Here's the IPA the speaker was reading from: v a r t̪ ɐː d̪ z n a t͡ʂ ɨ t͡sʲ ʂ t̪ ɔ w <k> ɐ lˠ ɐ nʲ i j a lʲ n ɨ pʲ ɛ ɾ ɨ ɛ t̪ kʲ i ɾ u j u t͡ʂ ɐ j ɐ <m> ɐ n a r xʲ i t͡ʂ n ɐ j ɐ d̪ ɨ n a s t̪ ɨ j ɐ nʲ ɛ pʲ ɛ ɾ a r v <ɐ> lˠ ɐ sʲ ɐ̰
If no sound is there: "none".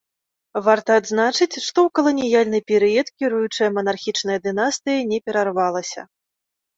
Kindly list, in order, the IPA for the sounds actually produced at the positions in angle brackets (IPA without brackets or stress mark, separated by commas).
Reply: k, m, a